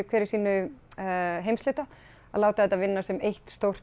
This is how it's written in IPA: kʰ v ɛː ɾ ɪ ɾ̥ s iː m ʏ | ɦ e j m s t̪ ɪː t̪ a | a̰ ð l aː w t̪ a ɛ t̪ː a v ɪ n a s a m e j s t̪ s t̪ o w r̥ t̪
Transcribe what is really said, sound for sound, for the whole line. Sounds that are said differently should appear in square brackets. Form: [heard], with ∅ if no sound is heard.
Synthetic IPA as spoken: kʰ v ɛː ɾ ɪ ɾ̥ s iː [n] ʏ | ɦ e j m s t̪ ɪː t̪ a | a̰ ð l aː w t̪ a ɛ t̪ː a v ɪ [nː] a s [ɛ] m e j [h] t̪ s t̪ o w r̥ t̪